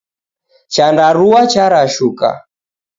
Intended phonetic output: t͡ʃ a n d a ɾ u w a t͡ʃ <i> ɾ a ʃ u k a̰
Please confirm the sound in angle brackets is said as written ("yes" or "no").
no